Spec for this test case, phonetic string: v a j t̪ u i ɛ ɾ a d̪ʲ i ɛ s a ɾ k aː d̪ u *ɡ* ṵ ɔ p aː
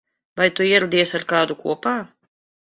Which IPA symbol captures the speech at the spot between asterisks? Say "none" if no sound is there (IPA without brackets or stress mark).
k